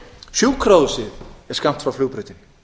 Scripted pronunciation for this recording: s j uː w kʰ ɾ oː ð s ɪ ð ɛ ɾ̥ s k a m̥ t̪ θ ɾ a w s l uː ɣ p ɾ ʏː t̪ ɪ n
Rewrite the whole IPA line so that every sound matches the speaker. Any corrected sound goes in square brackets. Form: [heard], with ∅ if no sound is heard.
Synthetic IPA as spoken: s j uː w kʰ ɾ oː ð s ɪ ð ɛ ɾ̥ s k a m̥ t̪ [f] ɾ a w [f] l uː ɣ p ɾ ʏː t̪ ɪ n